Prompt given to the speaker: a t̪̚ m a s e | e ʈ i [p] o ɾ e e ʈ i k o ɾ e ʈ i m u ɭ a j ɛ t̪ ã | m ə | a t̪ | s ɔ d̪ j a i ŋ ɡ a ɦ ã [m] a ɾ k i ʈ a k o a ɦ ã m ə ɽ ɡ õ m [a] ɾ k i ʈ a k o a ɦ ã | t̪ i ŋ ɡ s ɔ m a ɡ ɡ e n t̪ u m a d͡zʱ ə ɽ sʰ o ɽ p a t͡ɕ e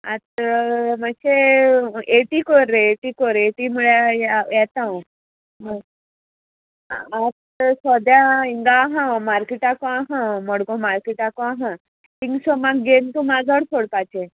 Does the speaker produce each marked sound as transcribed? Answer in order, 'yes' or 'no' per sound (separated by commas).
no, yes, yes